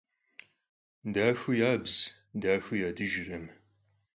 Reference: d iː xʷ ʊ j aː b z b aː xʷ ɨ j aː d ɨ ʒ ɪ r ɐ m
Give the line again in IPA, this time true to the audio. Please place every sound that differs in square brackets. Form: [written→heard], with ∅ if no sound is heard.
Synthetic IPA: d [iː→aː] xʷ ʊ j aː b z [b→d] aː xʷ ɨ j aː d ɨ ʒ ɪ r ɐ m